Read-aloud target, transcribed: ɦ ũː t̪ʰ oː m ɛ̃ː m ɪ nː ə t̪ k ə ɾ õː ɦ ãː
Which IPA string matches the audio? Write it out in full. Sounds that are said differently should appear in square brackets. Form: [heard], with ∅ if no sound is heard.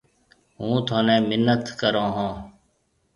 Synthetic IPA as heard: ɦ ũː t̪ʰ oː [n] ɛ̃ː m ɪ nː ə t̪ k ə ɾ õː ɦ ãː